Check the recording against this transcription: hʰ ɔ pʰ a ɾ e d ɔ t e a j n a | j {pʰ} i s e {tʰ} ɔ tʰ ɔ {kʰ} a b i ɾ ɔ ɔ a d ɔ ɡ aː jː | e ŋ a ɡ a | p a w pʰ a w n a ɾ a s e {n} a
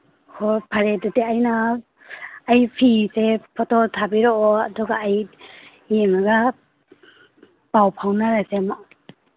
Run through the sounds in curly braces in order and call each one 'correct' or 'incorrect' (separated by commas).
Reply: correct, incorrect, incorrect, incorrect